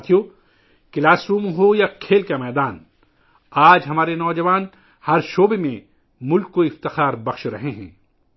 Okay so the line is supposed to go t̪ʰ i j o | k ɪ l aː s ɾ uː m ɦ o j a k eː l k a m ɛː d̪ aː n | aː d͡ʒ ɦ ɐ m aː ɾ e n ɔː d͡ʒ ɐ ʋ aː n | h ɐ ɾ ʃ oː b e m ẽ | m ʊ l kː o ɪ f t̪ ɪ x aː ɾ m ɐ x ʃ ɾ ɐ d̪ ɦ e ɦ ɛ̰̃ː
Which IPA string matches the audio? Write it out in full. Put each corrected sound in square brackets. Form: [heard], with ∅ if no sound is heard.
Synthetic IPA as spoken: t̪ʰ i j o | k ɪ l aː s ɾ uː m ɦ o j a [kʰ] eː l k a m ɛː d̪ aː n | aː d͡ʒ ɦ ɐ m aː ɾ e n ɔː d͡ʒ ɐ ʋ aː n | h ɐ ɾ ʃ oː b e m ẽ | m ʊ l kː o ɪ f t̪ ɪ x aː ɾ [b] ɐ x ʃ ɾ ɐ [∅] ɦ e ɦ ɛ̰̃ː